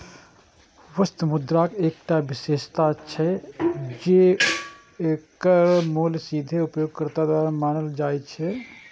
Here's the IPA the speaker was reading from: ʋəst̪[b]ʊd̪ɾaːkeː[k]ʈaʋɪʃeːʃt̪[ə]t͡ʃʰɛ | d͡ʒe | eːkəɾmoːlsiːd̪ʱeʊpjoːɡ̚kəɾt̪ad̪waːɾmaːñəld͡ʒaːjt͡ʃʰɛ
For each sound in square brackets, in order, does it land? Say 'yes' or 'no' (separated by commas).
no, yes, no